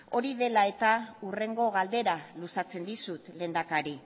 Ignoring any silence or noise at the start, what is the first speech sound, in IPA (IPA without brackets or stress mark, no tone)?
o̞